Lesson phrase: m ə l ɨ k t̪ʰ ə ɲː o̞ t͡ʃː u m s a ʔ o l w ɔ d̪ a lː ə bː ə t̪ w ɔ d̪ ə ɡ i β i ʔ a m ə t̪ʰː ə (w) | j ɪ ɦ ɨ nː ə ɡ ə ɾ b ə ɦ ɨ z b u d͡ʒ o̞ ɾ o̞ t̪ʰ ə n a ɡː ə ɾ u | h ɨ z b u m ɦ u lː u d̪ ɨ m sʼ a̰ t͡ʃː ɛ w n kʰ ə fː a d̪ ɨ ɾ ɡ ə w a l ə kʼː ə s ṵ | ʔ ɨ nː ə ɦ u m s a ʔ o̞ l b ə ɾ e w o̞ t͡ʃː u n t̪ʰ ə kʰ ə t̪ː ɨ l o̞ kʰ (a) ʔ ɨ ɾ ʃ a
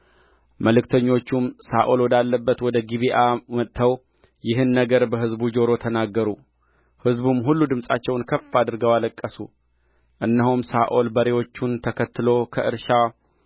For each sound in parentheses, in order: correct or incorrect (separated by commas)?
correct, incorrect